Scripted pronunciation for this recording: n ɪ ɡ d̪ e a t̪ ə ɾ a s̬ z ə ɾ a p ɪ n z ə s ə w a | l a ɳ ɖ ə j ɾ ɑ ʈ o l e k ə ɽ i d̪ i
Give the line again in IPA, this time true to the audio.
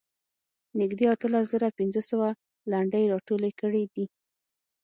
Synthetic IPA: n ɪ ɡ d̪ e a t̪ ə l a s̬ z ə ɾ a p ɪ n z ə s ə w a | l a ɳ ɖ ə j ɾ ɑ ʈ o l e k ə ɽ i d̪ i